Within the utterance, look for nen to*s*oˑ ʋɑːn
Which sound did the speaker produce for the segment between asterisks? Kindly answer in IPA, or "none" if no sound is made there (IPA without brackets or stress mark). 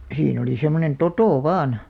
t